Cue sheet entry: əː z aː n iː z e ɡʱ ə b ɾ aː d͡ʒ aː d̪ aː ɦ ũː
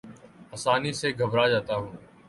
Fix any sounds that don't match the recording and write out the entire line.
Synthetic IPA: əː s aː n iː s e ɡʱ ə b ɾ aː d͡ʒ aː t̪ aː ɦ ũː